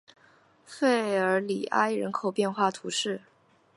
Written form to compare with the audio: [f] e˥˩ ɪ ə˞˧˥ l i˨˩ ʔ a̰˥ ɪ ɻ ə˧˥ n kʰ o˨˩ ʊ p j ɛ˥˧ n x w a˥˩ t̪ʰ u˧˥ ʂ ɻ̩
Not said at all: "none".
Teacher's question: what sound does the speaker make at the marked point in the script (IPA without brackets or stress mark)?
f